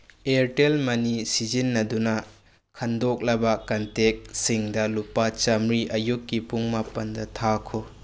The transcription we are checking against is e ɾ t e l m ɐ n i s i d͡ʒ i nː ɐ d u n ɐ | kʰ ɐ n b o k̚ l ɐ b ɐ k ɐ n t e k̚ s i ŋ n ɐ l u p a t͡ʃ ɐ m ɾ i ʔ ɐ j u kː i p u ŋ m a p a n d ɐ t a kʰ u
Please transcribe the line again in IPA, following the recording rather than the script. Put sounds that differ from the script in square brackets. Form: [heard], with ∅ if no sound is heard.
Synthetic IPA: e ɾ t e l m ɐ n i s i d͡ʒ i nː ɐ d u n ɐ | kʰ ɐ n [d] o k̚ l ɐ b ɐ k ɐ n t e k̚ s i ŋ [d] ɐ l u p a t͡ʃ ɐ m ɾ i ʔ ɐ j u kː i p u ŋ m a p [ɐ] n d ɐ [tʰ] a kʰ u